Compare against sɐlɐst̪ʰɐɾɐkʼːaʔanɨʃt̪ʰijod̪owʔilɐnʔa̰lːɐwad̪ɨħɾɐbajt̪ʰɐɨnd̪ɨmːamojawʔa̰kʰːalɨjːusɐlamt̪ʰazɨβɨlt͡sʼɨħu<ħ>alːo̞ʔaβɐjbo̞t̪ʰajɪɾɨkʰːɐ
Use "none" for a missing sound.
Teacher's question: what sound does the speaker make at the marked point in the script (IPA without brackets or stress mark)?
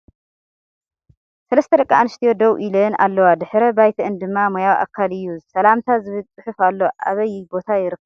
f